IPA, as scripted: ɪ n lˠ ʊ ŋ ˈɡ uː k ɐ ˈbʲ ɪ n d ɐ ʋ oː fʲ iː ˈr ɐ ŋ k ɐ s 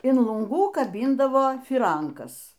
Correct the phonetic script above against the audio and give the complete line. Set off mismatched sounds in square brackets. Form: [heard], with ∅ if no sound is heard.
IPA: ɪ n lˠ ʊ ŋ ˈɡ uː k ɐ ˈbʲ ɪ n d ɐ ʋ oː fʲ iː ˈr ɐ ŋ k ɐ s